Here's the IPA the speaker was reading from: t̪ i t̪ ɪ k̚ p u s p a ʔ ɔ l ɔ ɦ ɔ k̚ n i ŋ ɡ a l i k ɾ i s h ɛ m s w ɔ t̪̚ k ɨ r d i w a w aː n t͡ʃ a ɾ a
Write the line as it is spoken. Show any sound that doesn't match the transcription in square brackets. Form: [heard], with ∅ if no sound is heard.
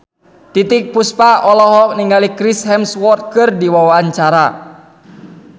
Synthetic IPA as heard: t̪ i t̪ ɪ k̚ p u s p a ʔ ɔ l ɔ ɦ ɔ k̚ n i ŋ ɡ a l i k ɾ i s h ɛ m s w ɔ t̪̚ k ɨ r d i w a w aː n t͡ʃ a ɾ a